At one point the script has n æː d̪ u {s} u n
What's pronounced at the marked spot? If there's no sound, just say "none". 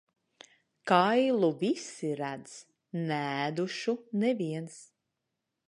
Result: ʃ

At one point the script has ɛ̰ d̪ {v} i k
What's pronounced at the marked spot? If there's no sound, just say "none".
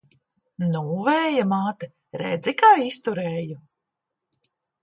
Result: z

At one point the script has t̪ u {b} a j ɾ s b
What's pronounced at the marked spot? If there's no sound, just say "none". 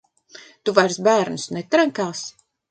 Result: v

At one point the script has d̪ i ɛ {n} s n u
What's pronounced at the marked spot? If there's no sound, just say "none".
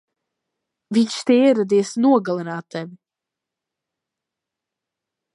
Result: none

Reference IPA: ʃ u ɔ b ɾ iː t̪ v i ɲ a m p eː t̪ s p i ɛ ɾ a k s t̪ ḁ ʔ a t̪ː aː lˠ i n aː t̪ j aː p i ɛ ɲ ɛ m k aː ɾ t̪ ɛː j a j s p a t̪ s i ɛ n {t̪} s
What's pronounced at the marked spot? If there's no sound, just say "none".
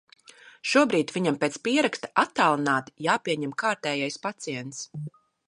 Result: t̪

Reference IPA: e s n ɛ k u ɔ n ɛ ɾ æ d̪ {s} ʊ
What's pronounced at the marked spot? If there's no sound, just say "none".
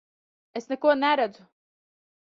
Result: z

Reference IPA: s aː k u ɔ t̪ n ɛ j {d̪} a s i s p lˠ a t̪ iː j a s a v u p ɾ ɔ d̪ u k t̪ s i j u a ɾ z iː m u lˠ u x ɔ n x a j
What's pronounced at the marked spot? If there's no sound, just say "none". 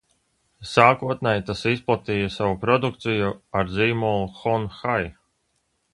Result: t̪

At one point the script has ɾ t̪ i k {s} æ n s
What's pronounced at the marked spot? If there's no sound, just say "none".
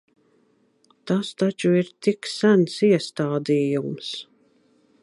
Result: s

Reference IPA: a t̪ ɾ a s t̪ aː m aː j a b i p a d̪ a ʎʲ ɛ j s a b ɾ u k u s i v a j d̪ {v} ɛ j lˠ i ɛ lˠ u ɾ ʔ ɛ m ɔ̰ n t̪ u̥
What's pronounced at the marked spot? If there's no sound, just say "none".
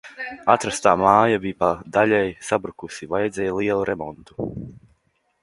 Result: z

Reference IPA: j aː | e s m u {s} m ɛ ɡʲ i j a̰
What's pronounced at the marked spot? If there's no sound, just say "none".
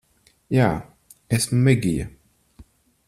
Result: none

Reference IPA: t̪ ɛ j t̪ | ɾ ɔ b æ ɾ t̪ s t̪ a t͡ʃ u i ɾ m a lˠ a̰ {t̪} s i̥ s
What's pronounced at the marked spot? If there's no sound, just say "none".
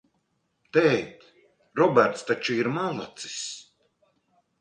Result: t̪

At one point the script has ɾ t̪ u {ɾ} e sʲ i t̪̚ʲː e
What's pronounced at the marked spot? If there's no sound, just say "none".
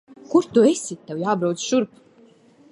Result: none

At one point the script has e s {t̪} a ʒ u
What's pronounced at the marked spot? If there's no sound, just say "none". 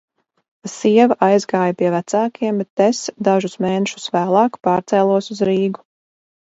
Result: d̪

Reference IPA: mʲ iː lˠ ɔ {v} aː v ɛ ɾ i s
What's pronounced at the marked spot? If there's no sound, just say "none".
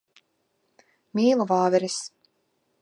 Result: v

